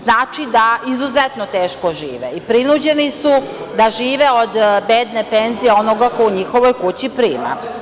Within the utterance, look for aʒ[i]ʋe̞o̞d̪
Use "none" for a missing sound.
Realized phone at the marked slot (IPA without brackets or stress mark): iː